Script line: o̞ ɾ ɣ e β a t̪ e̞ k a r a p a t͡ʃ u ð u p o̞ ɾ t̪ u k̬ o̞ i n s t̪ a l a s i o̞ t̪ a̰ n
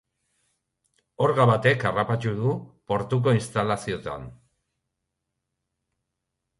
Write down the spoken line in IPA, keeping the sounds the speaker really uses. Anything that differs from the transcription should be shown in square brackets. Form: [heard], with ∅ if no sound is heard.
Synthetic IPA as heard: o̞ ɾ ɣ [a] β a t̪ e̞ k a r a p a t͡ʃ u ð u p o̞ ɾ t̪ u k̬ o̞ i n s t̪ a l a s i o̞ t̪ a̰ n